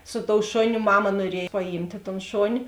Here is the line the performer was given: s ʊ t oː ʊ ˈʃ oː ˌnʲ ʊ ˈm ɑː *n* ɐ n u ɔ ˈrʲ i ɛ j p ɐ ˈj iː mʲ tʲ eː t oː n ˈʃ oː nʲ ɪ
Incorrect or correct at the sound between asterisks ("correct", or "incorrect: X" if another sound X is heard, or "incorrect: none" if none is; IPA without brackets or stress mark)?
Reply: incorrect: m